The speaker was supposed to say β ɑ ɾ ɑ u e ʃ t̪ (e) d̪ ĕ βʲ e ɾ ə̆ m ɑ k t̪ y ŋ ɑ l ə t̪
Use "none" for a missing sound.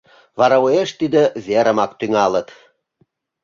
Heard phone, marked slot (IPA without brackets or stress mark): i